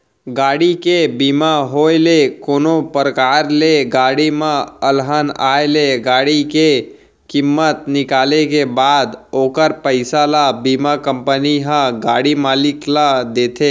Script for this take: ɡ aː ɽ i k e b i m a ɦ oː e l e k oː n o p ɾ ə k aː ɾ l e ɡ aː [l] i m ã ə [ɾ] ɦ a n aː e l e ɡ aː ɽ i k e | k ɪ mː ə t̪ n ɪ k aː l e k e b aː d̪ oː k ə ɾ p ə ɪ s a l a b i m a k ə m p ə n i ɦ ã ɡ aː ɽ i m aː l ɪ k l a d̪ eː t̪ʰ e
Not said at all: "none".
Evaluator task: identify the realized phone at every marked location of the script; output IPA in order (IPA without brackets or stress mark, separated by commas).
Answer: ɽ, l